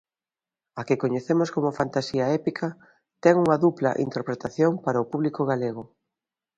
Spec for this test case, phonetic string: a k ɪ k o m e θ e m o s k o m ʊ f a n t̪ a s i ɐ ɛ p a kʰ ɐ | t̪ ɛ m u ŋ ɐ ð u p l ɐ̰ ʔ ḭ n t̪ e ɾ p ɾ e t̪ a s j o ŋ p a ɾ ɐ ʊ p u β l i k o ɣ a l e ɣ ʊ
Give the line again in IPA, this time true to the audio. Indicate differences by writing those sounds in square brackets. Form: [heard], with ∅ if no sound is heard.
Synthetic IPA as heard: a k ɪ k o [ɲ] e θ e m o s k o m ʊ f a n t̪ a s i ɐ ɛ p [i] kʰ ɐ | t̪ ɛ [ŋ] u ŋ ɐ ð u p l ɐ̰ ʔ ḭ n t̪ e ɾ p ɾ e t̪ a [θ] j o ŋ p a ɾ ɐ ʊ p u β l i k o ɣ a l e ɣ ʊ